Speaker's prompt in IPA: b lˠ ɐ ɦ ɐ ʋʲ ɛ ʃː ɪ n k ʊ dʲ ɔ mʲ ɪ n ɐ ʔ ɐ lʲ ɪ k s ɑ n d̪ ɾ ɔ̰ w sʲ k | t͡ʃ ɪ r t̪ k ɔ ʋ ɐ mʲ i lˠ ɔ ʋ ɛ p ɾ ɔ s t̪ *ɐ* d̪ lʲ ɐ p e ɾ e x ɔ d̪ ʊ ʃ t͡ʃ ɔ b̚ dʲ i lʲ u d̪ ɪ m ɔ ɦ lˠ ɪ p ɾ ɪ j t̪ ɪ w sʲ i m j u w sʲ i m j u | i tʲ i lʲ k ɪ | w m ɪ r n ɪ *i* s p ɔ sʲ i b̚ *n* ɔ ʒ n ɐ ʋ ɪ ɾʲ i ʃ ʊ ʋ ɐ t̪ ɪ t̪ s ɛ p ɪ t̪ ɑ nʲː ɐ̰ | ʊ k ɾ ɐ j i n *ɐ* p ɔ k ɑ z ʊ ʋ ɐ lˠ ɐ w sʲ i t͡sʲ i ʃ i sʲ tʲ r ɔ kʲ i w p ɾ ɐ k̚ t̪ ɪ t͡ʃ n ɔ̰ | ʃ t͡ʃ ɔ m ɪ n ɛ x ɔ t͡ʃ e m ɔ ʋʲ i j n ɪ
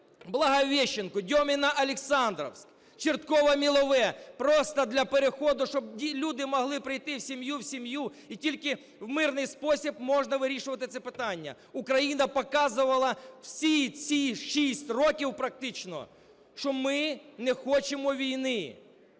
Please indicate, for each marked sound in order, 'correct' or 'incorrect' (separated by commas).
correct, incorrect, incorrect, correct